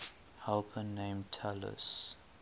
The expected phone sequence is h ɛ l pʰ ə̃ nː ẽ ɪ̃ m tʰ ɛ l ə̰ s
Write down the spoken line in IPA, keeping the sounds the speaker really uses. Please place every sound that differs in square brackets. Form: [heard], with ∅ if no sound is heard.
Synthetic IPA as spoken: h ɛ l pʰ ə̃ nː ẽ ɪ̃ m tʰ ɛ l ə̰ s